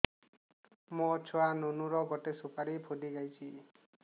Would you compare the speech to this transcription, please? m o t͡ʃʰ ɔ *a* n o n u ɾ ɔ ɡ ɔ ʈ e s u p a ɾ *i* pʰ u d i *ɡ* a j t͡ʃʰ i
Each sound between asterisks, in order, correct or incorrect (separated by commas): correct, correct, correct